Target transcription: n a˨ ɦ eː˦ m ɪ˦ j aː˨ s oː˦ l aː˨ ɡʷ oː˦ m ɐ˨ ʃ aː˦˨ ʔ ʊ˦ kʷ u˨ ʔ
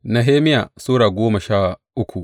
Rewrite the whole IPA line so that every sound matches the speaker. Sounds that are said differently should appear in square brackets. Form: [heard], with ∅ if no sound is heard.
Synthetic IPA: n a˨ ɦ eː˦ m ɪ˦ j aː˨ s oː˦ [ɽ] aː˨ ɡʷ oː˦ m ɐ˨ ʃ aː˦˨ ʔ ʊ˦ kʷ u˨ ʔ